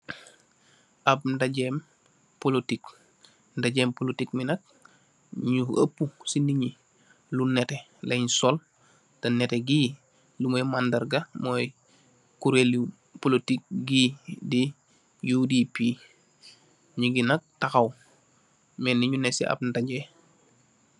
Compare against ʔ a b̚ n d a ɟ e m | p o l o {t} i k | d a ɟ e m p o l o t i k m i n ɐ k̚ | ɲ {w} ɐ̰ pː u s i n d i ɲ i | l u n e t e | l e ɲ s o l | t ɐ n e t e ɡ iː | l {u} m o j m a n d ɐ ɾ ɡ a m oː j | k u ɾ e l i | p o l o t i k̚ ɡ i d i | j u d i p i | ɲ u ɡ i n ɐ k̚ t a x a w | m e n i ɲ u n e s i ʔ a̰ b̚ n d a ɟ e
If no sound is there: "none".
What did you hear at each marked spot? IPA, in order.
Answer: t, u, u

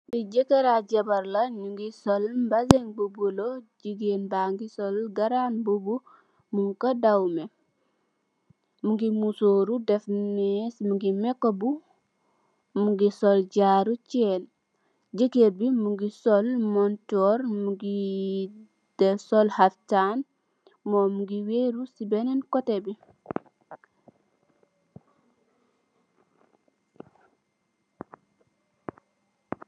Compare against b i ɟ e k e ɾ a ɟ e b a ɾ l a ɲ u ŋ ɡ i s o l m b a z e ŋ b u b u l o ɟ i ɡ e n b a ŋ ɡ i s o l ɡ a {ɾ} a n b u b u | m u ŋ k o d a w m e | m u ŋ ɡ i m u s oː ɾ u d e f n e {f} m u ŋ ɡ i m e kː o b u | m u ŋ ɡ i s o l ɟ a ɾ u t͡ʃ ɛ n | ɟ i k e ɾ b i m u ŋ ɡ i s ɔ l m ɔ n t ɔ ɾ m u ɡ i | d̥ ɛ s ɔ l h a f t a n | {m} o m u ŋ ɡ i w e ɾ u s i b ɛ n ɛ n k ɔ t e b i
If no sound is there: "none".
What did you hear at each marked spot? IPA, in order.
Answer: ɾ, s, m

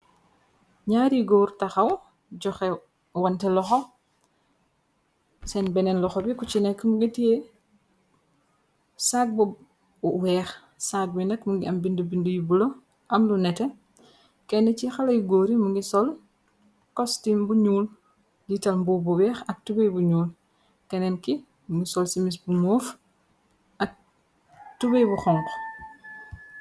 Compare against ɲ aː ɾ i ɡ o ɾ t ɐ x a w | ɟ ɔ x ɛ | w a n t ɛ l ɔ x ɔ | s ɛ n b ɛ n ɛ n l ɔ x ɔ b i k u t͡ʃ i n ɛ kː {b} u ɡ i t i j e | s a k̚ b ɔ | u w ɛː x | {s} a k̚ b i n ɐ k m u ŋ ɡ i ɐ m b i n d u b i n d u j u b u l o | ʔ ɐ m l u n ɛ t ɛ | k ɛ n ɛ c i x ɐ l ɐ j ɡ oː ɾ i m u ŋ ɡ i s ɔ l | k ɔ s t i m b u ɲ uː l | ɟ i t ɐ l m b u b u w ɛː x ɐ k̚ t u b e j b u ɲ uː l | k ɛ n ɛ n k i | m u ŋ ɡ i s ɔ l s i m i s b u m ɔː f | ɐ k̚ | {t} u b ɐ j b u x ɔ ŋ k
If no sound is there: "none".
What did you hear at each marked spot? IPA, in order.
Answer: m, s, t

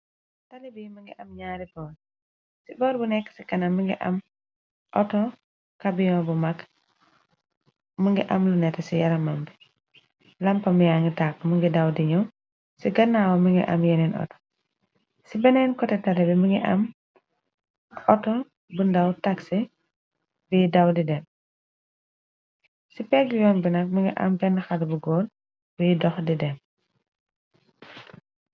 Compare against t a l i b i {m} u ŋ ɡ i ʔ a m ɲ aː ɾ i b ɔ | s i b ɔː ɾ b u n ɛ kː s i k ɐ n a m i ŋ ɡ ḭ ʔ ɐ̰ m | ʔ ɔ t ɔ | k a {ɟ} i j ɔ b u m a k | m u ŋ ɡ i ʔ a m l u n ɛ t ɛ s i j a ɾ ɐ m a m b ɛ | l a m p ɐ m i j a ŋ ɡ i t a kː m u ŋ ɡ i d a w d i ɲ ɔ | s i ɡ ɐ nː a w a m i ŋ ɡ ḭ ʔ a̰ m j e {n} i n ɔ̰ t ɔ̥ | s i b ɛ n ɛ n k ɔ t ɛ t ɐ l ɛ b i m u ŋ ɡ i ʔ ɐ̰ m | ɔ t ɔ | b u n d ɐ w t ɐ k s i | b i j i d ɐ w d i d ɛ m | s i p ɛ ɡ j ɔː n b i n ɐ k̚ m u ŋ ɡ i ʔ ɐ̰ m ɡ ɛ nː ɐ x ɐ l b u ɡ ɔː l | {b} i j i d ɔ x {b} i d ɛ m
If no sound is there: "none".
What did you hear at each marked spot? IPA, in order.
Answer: m, b, n, b, d

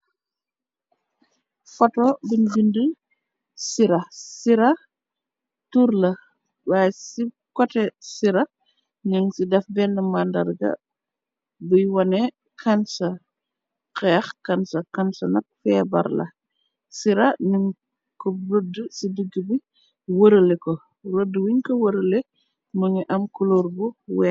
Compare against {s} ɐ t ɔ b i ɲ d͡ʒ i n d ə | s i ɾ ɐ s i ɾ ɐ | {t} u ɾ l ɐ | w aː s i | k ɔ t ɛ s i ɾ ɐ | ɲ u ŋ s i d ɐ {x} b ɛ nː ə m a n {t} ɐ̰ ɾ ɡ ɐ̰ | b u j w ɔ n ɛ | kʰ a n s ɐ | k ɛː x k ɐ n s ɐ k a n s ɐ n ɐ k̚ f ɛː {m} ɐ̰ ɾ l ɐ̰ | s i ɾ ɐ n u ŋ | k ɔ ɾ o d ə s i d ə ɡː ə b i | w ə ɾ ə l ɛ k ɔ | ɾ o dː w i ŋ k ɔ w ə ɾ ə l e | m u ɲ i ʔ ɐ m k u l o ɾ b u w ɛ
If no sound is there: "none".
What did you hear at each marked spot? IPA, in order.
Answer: f, t, f, d, b

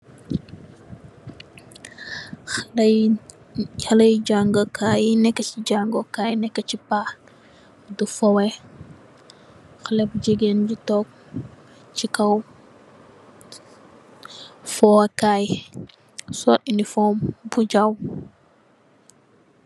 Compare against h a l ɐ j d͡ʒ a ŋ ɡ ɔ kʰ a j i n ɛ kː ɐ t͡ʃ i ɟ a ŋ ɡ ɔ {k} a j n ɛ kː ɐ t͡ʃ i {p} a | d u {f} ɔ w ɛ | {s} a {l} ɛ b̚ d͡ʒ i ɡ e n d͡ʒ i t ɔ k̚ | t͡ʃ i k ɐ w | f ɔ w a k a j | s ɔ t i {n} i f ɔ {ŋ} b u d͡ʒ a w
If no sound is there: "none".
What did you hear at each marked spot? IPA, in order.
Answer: k, p, f, x, l, n, m

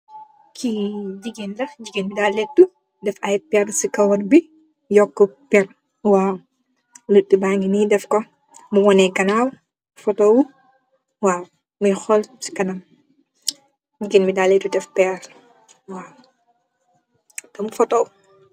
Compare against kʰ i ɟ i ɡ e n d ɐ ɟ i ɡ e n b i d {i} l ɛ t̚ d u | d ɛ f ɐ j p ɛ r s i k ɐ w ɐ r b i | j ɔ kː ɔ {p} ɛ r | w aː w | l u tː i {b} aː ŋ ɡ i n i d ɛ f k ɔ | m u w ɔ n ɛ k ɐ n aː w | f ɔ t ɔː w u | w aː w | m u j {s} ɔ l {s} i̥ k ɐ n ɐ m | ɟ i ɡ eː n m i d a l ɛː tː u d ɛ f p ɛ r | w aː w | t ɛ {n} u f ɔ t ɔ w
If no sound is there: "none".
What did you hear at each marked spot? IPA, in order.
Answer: a, p, b, x, s, m

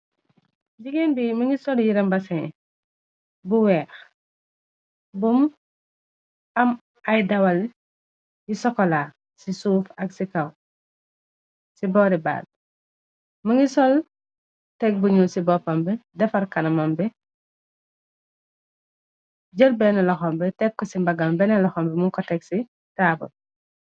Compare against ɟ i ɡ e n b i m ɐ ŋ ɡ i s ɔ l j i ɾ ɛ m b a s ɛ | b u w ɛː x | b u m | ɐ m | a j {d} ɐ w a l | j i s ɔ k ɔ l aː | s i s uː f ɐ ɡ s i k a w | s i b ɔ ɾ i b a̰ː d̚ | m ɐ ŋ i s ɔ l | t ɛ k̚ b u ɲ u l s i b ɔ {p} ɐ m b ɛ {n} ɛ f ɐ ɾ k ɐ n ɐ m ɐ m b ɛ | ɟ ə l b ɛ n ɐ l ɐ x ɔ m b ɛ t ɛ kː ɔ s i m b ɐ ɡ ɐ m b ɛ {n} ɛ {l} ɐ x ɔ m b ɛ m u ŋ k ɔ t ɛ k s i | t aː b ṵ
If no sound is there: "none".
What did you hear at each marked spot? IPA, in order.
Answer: d, p, d, n, l

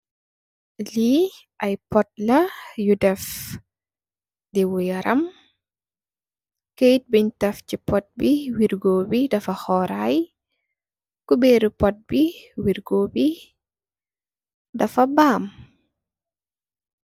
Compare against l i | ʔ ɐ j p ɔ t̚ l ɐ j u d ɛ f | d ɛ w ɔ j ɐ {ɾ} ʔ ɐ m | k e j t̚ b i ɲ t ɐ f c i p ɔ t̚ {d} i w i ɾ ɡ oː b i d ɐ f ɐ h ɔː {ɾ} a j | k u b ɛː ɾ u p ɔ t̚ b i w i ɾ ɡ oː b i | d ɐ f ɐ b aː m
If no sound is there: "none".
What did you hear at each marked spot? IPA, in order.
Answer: ɾ, b, ɾ

